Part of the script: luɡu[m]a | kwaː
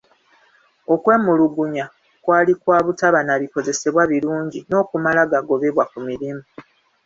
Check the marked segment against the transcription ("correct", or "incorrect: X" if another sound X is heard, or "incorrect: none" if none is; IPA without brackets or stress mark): incorrect: ɲ